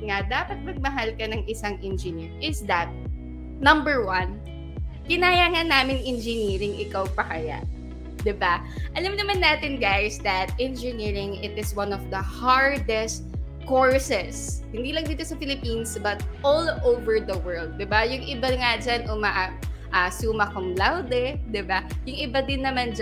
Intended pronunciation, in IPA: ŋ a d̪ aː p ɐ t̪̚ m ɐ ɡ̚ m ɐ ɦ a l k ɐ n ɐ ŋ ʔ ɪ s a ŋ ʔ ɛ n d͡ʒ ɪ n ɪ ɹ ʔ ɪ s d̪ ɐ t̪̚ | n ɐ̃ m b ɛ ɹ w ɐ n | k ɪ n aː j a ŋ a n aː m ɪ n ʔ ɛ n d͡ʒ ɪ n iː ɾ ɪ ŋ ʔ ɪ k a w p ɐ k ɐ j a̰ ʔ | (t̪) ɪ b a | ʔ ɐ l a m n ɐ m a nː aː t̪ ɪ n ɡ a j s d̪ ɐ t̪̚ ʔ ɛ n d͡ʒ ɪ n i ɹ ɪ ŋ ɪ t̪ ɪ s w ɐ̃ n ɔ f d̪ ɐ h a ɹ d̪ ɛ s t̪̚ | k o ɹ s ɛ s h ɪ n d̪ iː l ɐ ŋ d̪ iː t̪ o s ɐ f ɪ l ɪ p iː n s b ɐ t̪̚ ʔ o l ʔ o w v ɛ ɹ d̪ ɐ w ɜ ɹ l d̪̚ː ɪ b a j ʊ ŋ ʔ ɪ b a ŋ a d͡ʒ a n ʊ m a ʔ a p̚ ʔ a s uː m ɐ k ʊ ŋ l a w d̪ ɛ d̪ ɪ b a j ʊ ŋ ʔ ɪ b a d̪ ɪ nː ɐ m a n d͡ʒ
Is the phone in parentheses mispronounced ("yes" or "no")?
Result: yes